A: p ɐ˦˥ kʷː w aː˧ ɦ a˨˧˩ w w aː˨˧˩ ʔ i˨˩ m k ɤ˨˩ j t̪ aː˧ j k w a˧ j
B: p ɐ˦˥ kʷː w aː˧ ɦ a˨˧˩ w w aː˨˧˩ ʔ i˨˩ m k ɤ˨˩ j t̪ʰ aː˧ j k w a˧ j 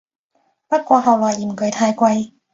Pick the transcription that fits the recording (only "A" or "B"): B